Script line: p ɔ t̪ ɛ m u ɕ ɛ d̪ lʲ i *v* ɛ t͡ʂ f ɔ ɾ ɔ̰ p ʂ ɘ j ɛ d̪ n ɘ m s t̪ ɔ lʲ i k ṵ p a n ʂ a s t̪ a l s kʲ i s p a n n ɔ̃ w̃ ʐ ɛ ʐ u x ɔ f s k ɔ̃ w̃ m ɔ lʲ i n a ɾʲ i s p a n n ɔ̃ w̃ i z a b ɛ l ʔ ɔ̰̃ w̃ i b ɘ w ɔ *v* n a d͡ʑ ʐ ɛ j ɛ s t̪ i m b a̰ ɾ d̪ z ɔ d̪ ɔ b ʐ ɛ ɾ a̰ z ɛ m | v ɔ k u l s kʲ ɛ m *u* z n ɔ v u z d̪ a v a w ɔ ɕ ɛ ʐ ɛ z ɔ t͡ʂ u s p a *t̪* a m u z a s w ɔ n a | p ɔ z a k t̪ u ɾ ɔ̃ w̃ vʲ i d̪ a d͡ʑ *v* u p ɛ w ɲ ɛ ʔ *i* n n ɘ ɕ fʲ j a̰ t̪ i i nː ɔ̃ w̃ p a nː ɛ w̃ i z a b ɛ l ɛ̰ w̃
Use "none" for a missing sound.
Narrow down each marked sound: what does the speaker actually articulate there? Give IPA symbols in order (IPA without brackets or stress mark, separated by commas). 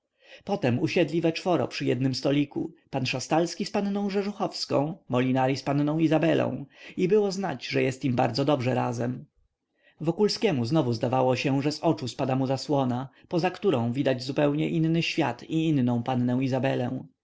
v, z, u, d̪, z, i